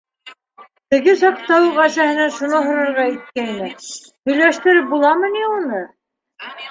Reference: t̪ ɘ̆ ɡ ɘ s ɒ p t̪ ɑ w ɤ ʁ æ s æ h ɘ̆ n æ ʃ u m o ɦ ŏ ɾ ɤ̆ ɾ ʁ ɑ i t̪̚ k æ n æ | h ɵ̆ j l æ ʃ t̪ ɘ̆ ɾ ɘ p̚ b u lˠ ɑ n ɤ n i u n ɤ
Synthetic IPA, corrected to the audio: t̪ ɘ̆ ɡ ɘ s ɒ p t̪ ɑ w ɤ ʁ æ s æ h ɘ̆ n æ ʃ u n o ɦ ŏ ɾ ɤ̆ ɾ ʁ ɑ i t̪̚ k æ n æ | h ɵ̆ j l æ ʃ t̪ ɘ̆ ɾ ɘ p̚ b u lˠ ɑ m ɤ n i u n ɤ